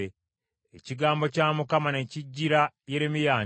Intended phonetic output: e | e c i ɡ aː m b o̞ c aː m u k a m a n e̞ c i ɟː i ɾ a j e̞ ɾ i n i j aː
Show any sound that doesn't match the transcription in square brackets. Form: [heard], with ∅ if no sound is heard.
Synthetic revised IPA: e | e c i ɡ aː m b o̞ c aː m u k a m a n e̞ c i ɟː i ɾ a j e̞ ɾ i [m] i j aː